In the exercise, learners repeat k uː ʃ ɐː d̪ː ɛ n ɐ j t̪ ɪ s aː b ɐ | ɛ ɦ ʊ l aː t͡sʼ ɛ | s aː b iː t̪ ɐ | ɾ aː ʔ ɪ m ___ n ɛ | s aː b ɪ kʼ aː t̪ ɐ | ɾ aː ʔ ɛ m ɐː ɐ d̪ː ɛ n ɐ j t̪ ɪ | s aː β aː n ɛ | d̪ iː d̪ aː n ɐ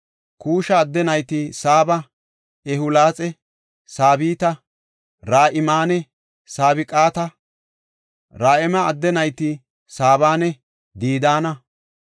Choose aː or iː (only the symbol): aː